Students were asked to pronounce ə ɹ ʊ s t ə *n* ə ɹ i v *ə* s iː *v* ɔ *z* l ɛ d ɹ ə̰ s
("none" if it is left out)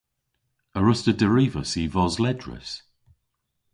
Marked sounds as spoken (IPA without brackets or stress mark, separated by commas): d, ə, v, z